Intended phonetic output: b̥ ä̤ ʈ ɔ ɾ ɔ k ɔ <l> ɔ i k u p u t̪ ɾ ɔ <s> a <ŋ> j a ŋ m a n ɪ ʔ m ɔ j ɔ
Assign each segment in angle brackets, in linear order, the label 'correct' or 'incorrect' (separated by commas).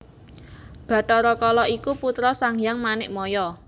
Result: correct, correct, correct